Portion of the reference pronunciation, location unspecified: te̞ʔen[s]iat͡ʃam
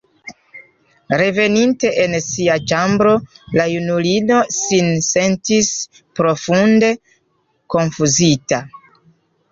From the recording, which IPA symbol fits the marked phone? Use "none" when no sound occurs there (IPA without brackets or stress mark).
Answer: s